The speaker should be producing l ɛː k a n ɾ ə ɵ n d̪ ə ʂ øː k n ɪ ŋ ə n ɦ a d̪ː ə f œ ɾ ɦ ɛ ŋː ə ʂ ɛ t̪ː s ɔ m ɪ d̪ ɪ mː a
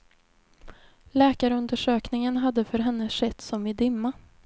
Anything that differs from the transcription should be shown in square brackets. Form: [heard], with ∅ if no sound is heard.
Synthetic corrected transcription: l ɛː k a [∅] ɾ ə ɵ n d̪ ə ʂ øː k n ɪ ŋ ə n ɦ a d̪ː ə f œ ɾ ɦ ɛ [nː] ə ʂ ɛ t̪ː s ɔ m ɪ d̪ ɪ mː a